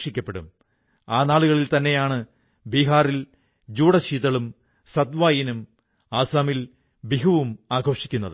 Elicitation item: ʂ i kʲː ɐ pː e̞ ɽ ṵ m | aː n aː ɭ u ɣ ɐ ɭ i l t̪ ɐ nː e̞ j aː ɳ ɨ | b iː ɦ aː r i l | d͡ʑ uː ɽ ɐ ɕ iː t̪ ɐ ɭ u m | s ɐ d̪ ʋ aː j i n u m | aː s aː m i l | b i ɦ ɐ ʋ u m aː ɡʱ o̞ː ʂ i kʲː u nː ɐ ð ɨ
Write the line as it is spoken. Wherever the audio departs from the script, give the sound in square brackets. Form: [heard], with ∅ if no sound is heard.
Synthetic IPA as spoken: ʂ i kʲː ɐ pː e̞ ɽ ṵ m | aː n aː ɭ u ɣ ɐ ɭ i l t̪ ɐ nː e̞ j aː ɳ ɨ | b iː ɦ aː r i l | d͡ʑ uː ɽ ɐ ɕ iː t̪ ɐ ɭ u m | s ɐ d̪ ʋ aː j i n u m | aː s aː m i l | b i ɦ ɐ ʋ u m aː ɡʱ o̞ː ʂ i kʲː u nː ɐ ð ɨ